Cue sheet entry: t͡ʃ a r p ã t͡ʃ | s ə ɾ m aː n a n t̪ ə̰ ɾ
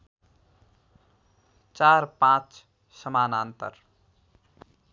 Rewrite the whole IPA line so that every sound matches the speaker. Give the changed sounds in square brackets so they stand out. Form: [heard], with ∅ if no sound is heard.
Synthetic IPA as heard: t͡ʃ a [ɾ] p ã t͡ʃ | s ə [∅] m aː n a n t̪ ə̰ ɾ